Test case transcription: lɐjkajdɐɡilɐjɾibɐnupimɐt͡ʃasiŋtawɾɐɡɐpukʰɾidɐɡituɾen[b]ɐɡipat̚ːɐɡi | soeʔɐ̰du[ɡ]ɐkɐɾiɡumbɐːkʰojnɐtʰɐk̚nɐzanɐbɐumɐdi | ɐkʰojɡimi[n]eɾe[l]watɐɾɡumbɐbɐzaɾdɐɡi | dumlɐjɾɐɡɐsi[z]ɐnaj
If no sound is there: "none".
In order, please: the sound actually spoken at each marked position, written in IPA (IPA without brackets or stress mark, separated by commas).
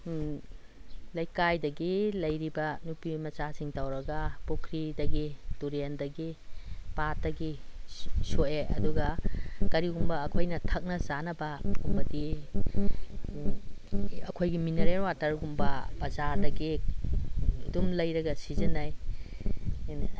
d, ɡ, n, ɾ, z